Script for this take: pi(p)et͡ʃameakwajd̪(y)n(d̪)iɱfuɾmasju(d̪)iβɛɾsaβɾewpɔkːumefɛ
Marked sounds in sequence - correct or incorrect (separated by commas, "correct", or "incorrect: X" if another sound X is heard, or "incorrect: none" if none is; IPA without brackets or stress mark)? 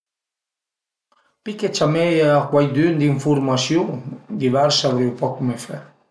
incorrect: k, correct, correct, correct